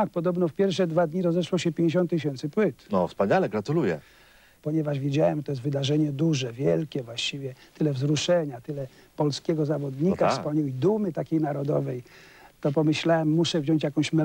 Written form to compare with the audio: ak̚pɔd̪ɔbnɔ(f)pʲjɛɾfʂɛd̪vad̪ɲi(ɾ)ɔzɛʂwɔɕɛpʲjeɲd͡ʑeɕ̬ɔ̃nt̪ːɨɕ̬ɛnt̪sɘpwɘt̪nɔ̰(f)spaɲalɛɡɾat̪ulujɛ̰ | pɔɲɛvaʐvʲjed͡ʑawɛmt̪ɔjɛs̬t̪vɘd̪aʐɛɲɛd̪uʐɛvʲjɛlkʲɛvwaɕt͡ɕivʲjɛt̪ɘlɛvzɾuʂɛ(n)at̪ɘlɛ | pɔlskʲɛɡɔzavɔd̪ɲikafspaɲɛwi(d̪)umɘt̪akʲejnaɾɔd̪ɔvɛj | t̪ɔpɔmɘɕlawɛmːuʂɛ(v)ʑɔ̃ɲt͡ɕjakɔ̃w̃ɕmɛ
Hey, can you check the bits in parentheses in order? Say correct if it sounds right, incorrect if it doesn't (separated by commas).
correct, correct, correct, incorrect, correct, correct